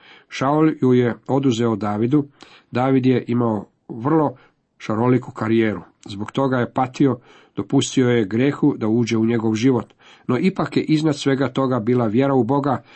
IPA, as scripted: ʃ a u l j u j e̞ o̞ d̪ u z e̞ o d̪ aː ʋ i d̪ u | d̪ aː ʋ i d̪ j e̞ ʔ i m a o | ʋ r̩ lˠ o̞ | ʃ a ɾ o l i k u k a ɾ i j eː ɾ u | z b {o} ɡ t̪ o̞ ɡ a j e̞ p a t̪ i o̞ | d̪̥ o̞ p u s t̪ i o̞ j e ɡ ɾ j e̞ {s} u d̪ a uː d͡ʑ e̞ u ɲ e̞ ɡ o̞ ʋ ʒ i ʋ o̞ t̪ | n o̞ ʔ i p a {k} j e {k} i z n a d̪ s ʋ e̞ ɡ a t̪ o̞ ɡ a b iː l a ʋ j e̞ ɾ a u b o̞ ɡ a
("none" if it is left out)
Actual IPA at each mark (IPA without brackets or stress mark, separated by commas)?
o, x, k, ʔ